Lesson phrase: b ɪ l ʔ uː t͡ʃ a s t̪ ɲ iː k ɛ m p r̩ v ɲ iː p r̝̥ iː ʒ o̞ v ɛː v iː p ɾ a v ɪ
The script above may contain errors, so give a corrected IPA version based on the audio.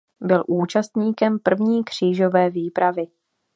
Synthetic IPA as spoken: b ɪ l ʔ uː t͡ʃ a s t̪ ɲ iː k ɛ m p r̩ v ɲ iː k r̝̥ iː ʒ o̞ v ɛː v iː p ɾ a v ɪ